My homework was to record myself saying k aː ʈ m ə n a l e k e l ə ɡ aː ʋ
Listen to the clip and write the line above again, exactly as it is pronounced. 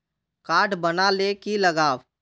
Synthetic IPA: k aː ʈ b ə n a l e k i l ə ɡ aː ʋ